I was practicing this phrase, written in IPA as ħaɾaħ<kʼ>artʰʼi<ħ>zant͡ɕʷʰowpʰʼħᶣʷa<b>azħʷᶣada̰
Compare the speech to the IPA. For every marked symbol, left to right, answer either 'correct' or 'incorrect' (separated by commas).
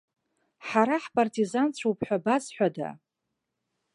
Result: incorrect, incorrect, correct